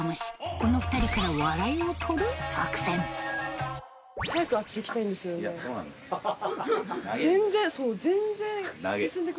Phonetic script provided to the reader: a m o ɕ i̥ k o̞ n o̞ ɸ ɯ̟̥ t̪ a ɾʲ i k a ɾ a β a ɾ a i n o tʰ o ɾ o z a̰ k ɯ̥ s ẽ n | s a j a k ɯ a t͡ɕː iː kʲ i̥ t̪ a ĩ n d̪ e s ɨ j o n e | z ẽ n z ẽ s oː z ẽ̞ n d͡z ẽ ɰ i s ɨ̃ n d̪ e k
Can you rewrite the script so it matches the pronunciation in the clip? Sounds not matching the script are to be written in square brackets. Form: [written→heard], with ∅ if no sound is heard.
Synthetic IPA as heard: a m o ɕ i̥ k o̞ n o̞ ɸ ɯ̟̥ t̪ a ɾʲ i k a ɾ a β a ɾ a i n o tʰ o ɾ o [z→s] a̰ k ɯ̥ s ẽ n | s a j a k ɯ a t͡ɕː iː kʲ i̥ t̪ a ĩ n d̪ e s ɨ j o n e | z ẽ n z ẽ s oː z ẽ̞ n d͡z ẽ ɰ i s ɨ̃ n d̪ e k